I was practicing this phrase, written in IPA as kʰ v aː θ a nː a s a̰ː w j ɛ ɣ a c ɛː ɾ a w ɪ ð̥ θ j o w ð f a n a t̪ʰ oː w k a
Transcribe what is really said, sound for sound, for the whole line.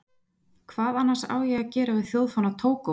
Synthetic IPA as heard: kʰ v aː ð a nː a s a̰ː w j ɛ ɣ a c ɛː ɾ a v ɪ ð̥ θ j o w ð f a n a t̪ʰ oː w k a